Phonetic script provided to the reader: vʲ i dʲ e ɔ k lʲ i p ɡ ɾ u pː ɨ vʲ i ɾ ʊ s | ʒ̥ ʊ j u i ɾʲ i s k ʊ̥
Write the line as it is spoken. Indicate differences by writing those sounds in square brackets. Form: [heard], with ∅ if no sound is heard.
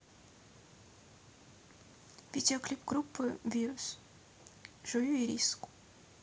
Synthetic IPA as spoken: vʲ i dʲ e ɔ k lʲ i p ɡ ɾ u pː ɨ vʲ i ɾ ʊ s | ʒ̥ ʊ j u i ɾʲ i s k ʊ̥

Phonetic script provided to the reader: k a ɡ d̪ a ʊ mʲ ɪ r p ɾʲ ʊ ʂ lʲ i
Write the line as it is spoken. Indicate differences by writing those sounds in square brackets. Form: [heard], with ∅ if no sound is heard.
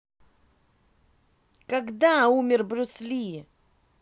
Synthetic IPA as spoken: k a ɡ d̪ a [u] mʲ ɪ r [b] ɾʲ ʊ [s] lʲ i

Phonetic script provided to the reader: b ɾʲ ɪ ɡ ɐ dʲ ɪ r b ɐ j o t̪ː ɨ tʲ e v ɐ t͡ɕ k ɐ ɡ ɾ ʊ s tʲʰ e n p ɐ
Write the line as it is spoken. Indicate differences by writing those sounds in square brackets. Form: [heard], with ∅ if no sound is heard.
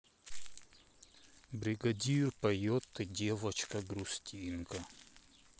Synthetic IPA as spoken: b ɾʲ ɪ ɡ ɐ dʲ [i] r [p] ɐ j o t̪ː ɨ [dʲ] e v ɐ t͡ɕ k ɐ ɡ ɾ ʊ s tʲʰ [i] n [k] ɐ

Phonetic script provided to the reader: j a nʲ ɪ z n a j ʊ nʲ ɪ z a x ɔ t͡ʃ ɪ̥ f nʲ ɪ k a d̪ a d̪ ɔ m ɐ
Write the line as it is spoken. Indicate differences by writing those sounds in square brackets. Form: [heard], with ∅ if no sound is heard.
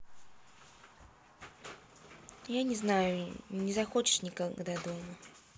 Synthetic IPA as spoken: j a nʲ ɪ z n a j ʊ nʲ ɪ z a x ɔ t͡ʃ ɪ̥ [ʂ] nʲ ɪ k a d̪ a d̪ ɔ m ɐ

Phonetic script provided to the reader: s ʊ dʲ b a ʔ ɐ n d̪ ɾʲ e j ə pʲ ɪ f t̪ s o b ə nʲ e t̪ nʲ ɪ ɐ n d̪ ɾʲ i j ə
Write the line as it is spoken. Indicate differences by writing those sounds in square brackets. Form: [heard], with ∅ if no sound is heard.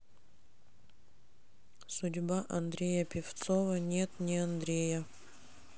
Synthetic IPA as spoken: s ʊ dʲ b a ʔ ɐ n d̪ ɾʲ e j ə pʲ ɪ f t̪ s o [v] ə nʲ e t̪ nʲ ɪ ɐ n d̪ ɾʲ [e] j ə

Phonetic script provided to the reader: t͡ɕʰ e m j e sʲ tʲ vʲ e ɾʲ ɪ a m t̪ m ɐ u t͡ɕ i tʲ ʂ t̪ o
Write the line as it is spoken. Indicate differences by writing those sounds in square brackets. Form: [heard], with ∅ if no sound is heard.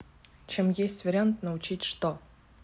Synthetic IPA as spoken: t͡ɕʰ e m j e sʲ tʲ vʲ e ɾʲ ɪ a [n] t̪ [n] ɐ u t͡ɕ i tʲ ʂ t̪ o

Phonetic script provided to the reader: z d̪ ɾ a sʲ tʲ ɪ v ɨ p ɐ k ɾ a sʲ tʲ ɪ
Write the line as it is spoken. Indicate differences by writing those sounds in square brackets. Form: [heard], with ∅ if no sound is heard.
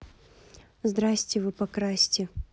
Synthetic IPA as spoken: z d̪ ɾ a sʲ tʲ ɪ v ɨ p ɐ k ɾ a sʲ tʲ ɪ

